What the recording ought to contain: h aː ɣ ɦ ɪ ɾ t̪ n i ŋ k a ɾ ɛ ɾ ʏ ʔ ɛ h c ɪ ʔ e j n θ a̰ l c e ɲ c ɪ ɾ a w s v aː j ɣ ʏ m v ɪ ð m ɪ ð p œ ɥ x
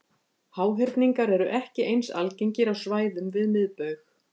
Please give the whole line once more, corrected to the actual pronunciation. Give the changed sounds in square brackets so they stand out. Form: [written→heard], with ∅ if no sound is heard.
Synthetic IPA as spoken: h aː [ɣ→w] ɦ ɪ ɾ t̪ n i ŋ k a ɾ ɛ ɾ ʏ ʔ ɛ h c ɪ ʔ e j n [θ→s] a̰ l c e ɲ c ɪ ɾ a w s v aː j [ɣ→ð] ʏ m v ɪ ð m ɪ ð p œ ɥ x